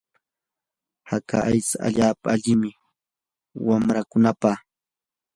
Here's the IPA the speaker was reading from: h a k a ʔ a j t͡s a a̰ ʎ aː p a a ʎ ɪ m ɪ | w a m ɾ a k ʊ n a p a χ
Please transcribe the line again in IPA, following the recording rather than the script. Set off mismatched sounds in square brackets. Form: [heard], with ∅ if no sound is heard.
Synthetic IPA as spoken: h a k a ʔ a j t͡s a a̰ ʎ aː p a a ʎ ɪ m ɪ | w a m ɾ a k ʊ n a p a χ